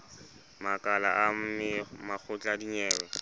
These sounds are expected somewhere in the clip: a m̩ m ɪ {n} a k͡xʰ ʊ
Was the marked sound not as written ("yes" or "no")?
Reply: yes